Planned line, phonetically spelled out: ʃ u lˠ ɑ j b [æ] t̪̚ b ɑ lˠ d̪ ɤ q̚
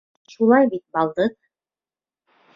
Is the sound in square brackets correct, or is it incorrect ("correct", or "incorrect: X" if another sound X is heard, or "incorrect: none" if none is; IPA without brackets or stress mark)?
incorrect: i